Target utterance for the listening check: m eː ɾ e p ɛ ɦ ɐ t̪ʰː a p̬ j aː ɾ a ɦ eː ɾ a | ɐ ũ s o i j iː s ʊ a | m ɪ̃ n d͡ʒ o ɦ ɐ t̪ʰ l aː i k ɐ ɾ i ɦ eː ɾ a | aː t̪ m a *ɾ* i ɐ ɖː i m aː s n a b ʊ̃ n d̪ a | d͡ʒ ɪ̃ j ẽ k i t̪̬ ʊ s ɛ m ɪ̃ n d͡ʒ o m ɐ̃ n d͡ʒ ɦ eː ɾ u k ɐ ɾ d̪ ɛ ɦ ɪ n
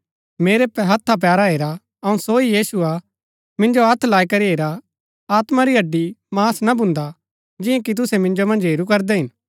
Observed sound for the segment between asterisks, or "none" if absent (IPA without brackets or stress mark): ɾ